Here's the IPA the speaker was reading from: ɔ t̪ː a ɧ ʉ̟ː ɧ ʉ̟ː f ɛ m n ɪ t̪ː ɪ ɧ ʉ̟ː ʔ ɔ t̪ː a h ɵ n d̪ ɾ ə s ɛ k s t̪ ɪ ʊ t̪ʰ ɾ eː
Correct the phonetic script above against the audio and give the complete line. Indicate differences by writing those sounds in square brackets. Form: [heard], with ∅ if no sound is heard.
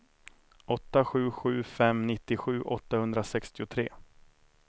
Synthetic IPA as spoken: ɔ t̪ː a ɧ ʉ̟ː ɧ ʉ̟ː f ɛ m n ɪ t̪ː ɪ ɧ ʉ̟ː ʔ ɔ t̪ː a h ɵ n d̪ ɾ [a] s ɛ k s t̪ ɪ ʊ t̪ʰ ɾ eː